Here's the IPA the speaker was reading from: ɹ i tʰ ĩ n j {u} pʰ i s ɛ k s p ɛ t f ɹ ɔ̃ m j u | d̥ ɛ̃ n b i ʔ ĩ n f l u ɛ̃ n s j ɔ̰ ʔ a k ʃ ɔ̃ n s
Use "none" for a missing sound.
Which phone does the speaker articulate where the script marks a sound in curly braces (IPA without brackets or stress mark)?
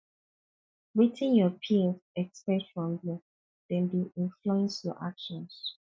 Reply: ɔ